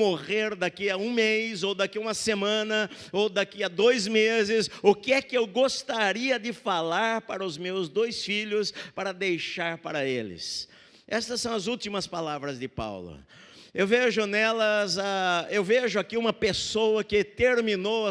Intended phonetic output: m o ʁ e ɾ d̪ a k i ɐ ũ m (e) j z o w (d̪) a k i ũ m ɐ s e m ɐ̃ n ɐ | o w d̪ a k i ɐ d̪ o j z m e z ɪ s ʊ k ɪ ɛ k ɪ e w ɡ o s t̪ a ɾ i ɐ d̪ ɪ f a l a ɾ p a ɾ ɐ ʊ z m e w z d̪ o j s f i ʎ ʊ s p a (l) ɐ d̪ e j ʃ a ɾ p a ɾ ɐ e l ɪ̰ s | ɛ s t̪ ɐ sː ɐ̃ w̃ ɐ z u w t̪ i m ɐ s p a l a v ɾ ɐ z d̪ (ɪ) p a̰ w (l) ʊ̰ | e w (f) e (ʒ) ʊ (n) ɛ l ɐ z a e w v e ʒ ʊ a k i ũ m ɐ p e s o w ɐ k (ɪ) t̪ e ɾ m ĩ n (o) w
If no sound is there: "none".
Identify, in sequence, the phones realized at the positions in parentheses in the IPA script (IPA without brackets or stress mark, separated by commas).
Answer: e, d̪, ɾ, ɪ, l, v, ʒ, n, ɪ, o